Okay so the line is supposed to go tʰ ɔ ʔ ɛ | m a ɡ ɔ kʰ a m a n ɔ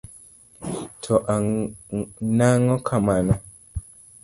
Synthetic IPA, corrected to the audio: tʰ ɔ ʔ a | n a ŋ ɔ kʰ a m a n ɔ